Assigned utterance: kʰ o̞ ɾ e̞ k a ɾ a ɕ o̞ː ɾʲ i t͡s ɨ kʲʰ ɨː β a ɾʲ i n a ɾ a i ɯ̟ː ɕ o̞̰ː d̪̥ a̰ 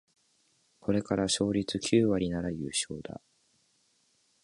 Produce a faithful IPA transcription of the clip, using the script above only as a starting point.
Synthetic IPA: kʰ o̞ ɾ e̞ k a ɾ a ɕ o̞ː ɾʲ i t͡s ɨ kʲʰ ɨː β a ɾʲ i n a ɾ a j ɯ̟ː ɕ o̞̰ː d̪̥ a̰